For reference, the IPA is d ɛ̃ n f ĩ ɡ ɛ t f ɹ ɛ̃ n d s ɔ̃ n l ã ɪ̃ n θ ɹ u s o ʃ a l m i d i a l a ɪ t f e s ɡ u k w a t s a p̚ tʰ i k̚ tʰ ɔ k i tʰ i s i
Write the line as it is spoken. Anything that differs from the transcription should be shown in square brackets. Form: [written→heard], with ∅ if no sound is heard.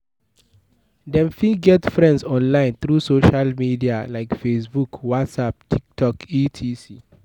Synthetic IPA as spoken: d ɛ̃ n f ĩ ɡ ɛ t f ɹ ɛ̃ n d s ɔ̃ n l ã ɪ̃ n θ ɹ u s o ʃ a l m i d i a l a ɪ [t→k] f e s [ɡ→b] u k w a t s a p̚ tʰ i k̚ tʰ ɔ k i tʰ i s i